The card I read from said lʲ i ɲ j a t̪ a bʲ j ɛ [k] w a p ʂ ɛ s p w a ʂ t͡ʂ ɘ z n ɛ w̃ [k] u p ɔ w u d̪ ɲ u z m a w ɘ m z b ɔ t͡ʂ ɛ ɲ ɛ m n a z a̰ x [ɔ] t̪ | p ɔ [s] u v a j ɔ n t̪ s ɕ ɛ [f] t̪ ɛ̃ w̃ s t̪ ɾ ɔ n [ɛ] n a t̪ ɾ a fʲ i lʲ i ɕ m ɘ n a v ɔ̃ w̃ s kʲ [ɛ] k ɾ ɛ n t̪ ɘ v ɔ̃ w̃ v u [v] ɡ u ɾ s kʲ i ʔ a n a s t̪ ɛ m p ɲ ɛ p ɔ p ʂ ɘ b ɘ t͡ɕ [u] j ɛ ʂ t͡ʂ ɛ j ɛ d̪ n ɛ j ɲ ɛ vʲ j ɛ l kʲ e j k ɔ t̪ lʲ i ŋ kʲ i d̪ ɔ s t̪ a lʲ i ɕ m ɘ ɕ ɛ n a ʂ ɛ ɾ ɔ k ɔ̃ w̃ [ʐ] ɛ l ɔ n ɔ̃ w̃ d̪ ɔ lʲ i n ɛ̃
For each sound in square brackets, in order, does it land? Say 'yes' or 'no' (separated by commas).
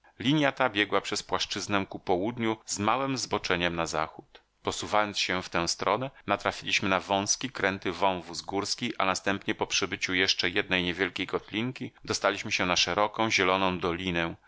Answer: no, yes, no, yes, yes, yes, no, no, yes, no